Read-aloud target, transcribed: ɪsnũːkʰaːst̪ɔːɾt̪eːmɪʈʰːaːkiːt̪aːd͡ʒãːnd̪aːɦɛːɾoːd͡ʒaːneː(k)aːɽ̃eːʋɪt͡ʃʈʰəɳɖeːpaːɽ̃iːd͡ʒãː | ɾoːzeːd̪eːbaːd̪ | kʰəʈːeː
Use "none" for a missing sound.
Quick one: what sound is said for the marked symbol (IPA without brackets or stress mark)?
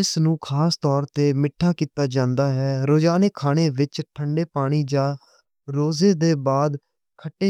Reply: kʰ